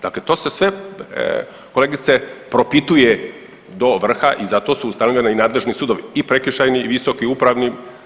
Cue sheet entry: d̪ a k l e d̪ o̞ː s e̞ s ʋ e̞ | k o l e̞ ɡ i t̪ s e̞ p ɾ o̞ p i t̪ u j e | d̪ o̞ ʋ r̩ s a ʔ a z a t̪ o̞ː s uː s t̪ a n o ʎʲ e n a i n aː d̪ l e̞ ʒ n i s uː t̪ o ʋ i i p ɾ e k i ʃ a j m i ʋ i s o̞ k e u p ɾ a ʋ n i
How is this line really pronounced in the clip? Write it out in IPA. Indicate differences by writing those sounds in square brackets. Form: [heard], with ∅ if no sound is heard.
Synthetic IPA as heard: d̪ a k l e [t̪] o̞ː s e̞ s ʋ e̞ | k o l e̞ ɡ i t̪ s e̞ p ɾ o̞ p i t̪ u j e | d̪ o̞ ʋ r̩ [x] a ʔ [i] z a t̪ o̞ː s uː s t̪ a n o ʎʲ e n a i n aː d̪ l e̞ ʒ n i s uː [d̪] o ʋ i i p ɾ e k i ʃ a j [n] i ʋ i s o̞ k [i] u p ɾ a ʋ n i